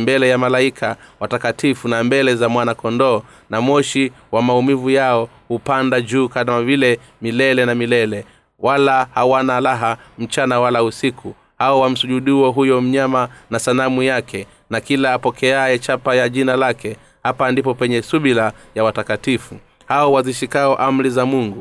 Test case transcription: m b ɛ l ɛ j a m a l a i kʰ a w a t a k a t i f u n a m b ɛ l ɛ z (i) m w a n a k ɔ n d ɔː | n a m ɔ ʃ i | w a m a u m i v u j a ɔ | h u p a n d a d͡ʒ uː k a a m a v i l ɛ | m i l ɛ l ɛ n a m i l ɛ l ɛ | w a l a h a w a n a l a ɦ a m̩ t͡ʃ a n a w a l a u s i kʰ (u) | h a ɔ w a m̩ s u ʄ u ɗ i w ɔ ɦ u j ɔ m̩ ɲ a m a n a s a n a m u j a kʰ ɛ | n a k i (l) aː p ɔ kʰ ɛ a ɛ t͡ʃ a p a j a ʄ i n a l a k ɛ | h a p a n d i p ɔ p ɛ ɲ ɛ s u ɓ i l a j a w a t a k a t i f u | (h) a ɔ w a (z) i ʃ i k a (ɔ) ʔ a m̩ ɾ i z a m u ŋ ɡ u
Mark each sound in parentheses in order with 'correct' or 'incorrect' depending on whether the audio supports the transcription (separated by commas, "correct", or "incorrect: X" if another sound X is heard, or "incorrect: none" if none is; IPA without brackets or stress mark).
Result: incorrect: a, correct, correct, correct, correct, correct